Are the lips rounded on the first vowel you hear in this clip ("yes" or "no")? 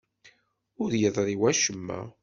yes